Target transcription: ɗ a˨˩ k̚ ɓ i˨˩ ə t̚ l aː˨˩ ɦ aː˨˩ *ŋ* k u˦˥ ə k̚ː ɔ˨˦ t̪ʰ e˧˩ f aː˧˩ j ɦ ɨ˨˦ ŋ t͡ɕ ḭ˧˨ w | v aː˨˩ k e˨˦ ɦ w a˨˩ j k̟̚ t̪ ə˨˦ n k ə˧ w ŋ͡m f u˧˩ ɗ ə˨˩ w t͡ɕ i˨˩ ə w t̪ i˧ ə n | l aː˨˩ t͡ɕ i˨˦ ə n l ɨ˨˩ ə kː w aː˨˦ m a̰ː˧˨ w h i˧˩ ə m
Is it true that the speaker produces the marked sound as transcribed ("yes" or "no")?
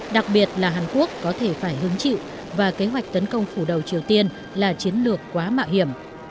no